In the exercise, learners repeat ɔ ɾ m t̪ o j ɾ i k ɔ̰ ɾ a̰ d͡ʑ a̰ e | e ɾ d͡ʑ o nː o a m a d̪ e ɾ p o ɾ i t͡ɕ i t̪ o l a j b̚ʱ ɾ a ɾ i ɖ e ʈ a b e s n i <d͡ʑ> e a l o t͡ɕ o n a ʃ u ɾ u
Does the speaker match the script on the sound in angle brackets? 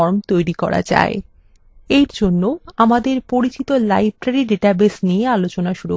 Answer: no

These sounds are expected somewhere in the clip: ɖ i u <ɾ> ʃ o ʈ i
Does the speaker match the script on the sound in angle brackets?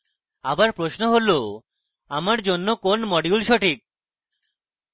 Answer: no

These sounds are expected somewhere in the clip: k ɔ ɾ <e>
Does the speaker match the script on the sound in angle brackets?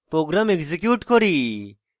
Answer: no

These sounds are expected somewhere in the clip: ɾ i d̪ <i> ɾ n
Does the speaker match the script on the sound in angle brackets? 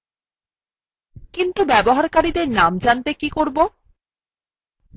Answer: no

